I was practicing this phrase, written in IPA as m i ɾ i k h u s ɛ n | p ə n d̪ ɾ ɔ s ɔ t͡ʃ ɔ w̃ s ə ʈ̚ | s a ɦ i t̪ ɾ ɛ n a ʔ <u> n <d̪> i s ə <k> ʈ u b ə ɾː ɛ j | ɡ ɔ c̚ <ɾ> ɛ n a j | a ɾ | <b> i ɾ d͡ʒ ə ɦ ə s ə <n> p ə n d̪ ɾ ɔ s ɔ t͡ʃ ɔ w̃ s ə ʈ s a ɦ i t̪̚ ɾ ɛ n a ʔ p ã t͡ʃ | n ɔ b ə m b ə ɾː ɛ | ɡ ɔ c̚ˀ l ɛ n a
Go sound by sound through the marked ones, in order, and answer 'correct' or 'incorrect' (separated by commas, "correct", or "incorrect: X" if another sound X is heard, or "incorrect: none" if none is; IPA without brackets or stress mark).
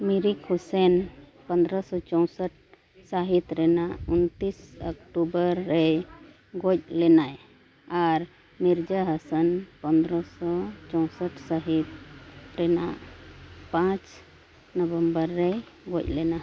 correct, incorrect: t̪, correct, incorrect: l, incorrect: m, correct